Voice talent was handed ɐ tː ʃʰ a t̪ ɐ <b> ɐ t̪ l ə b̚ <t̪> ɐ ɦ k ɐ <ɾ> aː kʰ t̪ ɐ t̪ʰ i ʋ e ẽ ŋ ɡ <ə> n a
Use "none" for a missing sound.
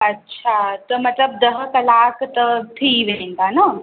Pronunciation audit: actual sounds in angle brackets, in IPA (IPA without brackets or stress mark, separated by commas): m, d̪, l, a